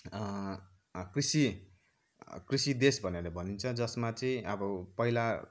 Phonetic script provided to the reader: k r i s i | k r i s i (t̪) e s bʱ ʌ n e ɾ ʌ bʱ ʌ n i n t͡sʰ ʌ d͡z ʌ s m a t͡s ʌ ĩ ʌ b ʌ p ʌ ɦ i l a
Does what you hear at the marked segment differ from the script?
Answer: yes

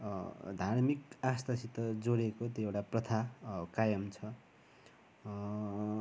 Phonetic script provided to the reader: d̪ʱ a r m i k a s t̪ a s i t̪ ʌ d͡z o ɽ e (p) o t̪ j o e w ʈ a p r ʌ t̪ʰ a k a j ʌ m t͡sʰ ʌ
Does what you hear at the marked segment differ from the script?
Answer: yes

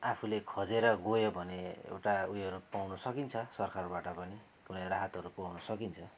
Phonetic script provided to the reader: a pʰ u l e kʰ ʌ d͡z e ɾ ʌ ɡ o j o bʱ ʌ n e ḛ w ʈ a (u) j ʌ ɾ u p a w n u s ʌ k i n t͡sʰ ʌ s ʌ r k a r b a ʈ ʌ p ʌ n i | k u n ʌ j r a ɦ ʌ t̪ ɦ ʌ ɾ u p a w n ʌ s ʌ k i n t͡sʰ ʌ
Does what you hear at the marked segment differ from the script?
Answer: no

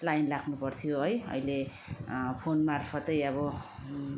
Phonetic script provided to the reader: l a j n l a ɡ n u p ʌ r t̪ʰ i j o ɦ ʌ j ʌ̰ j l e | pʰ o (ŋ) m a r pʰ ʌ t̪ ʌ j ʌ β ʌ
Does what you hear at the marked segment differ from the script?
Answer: yes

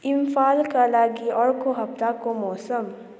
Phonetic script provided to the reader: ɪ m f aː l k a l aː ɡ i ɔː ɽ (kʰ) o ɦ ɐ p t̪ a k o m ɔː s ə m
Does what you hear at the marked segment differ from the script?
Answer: yes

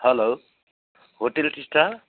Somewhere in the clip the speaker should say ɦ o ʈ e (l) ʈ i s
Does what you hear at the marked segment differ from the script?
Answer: no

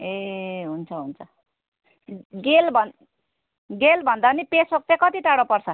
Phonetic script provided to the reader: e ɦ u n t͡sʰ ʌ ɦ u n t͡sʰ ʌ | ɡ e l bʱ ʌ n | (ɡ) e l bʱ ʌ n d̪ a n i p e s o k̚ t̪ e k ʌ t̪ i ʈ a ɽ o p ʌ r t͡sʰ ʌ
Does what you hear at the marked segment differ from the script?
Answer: no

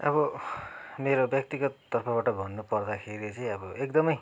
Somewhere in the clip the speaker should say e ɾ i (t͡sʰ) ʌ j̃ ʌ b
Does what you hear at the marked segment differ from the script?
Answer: yes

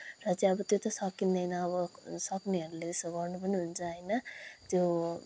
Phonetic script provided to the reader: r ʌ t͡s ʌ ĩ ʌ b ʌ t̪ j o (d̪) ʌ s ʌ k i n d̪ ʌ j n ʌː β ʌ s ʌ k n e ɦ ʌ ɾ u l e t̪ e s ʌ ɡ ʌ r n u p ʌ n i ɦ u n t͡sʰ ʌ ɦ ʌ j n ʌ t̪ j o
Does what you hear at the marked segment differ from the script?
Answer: yes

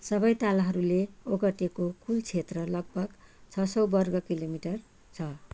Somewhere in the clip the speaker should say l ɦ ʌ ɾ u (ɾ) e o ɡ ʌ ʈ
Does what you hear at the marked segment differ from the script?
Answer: yes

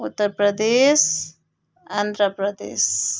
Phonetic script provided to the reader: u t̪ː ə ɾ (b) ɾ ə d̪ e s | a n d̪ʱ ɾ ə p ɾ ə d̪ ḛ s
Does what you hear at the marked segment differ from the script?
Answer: yes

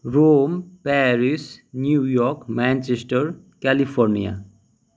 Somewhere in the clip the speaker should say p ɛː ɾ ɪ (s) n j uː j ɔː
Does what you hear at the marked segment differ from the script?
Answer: no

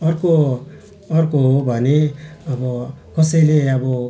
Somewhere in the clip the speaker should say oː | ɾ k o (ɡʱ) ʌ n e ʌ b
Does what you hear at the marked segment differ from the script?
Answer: yes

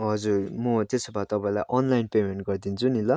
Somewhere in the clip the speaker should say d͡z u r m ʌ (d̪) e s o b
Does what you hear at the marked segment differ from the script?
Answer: yes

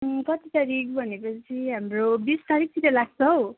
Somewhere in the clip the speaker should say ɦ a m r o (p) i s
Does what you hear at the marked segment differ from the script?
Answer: yes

